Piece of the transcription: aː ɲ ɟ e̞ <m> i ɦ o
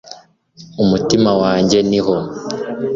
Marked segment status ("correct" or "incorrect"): incorrect